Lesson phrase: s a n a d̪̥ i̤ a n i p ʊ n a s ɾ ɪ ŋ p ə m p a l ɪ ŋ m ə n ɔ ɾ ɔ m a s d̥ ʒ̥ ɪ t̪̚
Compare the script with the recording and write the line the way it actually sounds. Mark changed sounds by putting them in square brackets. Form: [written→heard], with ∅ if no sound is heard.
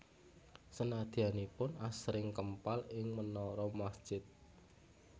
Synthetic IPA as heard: s [a→ə] n a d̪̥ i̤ a n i p ʊ n a s ɾ ɪ ŋ [p→k] ə m p a l ɪ ŋ m ə n ɔ ɾ ɔ m a s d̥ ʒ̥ ɪ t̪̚